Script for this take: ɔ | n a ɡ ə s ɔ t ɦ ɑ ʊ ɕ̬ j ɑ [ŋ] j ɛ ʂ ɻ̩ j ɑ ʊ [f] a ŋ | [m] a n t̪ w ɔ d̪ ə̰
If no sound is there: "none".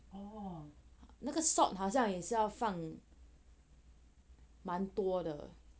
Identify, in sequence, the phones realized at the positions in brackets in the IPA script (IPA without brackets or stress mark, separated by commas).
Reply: ŋ, f, m